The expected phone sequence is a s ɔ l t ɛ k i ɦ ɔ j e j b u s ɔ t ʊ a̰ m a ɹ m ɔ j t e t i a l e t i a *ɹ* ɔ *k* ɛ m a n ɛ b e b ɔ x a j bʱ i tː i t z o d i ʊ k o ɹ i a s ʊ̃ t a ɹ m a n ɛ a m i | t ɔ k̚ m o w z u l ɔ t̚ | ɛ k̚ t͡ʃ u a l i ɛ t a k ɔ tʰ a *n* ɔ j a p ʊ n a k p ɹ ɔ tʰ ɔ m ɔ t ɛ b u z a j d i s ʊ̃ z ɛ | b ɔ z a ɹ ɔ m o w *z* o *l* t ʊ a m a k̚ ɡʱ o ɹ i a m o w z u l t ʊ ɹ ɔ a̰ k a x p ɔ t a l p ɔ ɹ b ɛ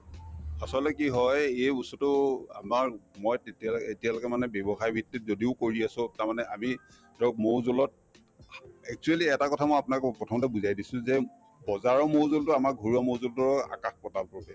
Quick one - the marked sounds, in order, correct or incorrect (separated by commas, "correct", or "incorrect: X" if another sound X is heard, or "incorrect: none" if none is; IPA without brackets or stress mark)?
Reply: incorrect: l, correct, incorrect: m, correct, correct